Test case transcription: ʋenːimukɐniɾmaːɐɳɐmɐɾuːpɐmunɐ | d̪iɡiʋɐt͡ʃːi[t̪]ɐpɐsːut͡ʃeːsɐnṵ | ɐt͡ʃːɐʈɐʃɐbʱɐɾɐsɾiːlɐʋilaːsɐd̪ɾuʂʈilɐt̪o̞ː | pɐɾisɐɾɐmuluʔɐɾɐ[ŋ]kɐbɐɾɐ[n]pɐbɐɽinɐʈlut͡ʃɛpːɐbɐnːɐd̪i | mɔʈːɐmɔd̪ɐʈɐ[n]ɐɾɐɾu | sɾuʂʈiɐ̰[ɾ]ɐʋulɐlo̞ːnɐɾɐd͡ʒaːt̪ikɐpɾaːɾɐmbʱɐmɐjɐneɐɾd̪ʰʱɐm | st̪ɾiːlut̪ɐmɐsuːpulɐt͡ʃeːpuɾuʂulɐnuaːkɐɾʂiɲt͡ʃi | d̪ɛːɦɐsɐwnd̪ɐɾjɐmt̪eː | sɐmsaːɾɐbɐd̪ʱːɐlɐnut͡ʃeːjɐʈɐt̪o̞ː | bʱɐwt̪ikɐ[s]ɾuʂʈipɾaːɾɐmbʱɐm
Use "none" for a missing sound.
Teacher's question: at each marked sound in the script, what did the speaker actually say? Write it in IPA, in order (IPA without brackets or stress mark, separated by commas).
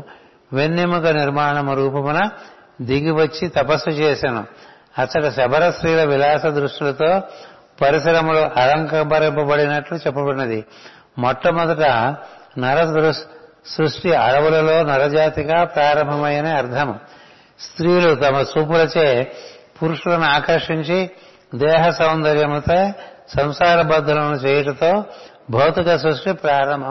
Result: t̪, ŋ, m, n, ɽ, s